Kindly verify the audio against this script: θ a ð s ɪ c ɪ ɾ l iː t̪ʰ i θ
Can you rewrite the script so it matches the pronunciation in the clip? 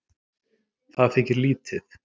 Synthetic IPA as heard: θ a ð f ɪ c ɪ ɾ l iː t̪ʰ ɪ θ

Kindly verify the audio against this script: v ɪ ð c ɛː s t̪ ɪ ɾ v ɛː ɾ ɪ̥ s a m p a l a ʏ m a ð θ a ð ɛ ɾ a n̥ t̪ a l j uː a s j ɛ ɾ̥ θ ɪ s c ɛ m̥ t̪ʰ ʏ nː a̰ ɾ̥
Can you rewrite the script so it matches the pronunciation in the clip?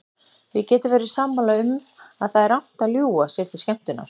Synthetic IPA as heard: v ɪ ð c ɛː t̪ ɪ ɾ v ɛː ɾ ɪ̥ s a m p a l a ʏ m a ð θ a ð ɛ ɾ a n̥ t̪ a l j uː a s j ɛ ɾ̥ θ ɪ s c ɛ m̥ t̪ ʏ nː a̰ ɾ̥

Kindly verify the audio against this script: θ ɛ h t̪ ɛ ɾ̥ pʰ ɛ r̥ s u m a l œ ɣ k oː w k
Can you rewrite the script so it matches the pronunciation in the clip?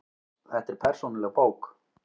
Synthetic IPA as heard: θ ɛ h t̪ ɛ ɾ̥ pʰ ɛ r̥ s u n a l ɛ ɣ p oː w k

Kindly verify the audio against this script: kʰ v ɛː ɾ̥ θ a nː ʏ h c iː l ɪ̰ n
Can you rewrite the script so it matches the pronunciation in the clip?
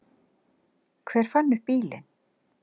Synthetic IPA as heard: kʰ v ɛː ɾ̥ f a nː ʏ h p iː l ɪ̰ n

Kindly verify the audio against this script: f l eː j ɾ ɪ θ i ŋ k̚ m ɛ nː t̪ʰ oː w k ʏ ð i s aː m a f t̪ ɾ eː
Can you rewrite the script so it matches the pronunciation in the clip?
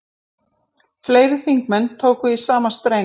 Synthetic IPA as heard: f l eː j ɾ ɪ θ i ŋ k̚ m ɛ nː t̪ʰ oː w k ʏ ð i s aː m a s t̪ ɾ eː

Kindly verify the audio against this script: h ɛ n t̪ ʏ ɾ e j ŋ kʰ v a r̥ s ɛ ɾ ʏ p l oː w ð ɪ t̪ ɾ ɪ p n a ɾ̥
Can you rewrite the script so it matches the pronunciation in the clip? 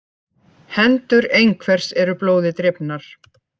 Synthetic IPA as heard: h ɛ n t̪ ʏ ɾ e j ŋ kʰ v ɛ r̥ s ɛ ɾ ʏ p l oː w ð ɪ t̪ ɾ ɪ p n a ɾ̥

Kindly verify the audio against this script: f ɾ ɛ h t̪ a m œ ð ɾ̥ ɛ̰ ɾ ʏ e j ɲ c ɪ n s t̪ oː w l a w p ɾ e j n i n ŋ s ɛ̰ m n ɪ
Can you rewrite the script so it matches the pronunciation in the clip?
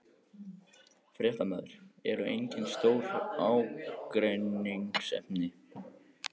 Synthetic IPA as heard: f ɾ ɛ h t̪ a m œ ð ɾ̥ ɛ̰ ɾ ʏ e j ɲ c ɪ n s t̪ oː w ɾ a w k ɾ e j n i ŋ s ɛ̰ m n ɪ

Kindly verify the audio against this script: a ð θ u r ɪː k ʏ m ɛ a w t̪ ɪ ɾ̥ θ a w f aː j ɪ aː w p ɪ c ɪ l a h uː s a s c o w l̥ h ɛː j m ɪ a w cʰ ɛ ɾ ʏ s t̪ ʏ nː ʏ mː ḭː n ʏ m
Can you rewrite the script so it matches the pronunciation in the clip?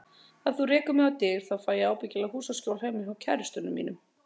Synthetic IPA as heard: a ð θ u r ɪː k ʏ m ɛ a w t̪ ɪ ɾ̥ θ a w f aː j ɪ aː w p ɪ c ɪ l a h uː s a s c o w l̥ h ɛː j m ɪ a w cʰ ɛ ɾ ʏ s t̪ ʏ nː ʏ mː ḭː n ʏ m

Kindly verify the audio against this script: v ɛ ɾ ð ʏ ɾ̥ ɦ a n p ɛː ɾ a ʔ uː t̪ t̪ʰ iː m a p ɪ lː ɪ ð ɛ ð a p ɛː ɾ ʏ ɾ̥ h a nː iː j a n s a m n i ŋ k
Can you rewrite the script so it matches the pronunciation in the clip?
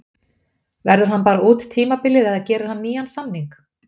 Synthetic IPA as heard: v ɛ ɾ ð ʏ ɾ̥ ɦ a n p aː ɾ a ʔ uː t̪ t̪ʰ iː m a p ɪ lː ɪ ð ɛ ð a c ɛː ɾ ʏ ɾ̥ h a nː iː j a n s a m n i ŋ k

